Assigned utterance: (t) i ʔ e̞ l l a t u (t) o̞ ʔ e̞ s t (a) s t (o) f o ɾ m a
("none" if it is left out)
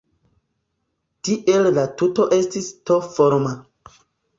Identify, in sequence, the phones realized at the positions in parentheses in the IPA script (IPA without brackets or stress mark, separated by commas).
t, t, i, o